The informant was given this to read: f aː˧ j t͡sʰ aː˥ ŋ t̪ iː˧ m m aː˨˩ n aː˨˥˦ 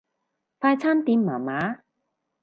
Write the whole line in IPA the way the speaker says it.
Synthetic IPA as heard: f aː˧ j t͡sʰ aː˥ n t̪ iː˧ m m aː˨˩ m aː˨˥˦